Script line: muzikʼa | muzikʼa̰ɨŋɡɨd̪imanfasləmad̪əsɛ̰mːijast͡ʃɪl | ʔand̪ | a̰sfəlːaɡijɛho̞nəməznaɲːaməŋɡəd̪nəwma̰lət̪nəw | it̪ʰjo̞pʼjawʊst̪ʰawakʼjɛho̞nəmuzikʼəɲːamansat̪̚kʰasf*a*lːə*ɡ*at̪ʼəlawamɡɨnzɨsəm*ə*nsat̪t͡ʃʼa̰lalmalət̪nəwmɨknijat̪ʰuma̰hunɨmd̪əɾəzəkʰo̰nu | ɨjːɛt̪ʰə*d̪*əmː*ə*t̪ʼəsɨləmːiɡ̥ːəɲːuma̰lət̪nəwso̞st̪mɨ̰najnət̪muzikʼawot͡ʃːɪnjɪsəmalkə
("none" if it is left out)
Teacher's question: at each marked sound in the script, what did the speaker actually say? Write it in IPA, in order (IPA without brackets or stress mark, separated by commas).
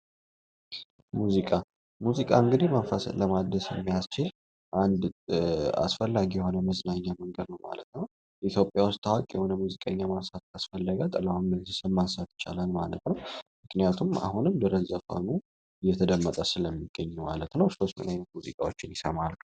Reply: ə, ɡ, a, d̪, ə